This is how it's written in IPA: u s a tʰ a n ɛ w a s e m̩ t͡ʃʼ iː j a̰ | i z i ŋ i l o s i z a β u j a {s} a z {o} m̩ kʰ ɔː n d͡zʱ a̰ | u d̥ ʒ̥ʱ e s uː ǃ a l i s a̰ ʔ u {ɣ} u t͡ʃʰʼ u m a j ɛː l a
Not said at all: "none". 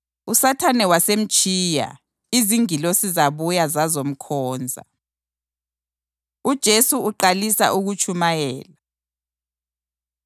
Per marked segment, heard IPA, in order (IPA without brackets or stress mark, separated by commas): z, o, ɣ